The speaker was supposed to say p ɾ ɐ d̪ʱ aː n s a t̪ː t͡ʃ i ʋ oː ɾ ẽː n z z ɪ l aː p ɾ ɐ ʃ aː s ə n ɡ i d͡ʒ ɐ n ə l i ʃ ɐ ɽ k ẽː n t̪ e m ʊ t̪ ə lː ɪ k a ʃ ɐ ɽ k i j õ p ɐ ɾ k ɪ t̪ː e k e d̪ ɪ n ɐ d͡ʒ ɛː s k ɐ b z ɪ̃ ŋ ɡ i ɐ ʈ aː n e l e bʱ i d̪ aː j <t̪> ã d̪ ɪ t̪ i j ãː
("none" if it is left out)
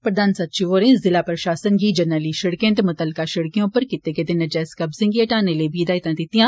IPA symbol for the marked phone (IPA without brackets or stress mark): t̪